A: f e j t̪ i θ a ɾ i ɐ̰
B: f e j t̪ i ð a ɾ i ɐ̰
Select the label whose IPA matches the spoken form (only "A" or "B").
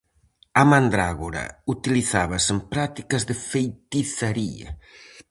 A